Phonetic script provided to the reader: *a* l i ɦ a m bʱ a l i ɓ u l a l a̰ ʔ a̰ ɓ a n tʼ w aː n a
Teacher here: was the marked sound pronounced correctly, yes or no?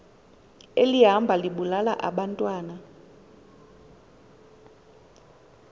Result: no